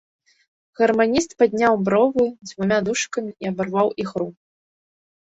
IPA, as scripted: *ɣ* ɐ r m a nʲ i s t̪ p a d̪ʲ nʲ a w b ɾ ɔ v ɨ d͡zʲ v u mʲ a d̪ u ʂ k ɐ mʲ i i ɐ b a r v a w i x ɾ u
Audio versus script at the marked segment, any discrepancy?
no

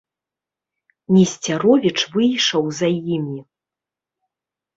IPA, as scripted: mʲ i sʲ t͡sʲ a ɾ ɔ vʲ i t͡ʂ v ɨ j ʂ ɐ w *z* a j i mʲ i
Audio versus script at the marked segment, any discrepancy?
no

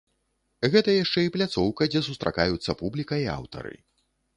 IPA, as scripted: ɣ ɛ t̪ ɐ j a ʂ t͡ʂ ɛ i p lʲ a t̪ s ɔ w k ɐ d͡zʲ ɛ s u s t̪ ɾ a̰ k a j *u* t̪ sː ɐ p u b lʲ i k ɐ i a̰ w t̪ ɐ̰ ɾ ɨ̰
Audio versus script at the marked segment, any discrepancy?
no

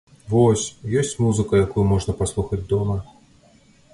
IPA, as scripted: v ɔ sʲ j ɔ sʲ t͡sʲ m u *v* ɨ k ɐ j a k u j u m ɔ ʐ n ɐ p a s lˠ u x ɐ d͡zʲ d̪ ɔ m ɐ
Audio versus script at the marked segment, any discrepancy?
yes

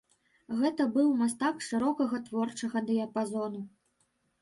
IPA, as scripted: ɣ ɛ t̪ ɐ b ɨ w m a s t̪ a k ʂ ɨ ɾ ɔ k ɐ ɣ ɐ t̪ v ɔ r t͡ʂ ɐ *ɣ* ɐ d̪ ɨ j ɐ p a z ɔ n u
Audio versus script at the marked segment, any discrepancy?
no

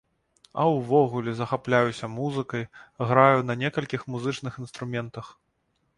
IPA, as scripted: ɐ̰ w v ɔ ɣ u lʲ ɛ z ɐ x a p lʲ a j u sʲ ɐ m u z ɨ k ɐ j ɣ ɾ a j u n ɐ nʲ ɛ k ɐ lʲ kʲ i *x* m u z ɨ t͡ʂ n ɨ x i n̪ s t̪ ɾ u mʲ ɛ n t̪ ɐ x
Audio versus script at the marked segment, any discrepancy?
no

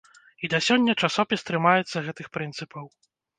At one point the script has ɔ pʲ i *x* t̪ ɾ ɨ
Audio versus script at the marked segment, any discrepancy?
yes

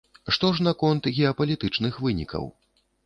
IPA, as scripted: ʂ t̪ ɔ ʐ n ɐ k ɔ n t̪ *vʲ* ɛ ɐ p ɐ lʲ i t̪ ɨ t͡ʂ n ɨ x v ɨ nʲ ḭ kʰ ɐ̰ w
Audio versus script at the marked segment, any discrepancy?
yes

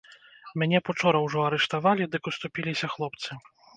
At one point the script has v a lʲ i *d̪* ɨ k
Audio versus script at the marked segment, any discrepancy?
no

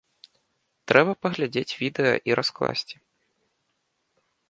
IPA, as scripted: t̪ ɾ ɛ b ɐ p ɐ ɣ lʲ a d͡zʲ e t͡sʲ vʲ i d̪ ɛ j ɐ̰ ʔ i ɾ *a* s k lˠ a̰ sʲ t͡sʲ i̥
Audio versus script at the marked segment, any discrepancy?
no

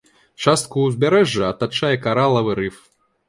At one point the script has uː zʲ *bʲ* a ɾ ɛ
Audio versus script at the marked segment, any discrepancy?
no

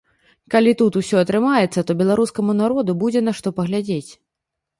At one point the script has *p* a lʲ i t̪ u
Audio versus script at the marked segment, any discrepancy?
yes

